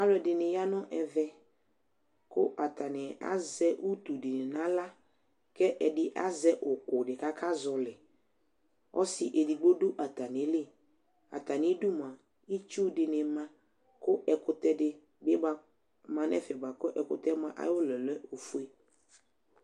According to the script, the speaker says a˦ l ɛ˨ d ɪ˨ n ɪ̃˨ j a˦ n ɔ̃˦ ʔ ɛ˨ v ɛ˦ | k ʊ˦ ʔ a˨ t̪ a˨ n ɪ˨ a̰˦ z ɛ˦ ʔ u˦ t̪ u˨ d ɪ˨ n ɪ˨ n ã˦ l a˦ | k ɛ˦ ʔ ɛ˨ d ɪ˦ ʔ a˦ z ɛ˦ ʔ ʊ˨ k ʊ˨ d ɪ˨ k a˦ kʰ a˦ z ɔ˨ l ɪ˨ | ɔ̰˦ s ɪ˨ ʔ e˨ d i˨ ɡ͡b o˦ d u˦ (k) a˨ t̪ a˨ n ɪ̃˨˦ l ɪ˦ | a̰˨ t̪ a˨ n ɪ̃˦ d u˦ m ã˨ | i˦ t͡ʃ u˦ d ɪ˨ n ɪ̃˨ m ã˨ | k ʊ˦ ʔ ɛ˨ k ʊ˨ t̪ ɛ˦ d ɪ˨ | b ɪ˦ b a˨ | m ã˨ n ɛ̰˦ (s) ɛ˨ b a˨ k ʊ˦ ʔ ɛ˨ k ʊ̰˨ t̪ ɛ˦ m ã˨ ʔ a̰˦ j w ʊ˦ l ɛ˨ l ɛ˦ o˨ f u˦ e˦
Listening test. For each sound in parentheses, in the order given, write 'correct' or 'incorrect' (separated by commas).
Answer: incorrect, incorrect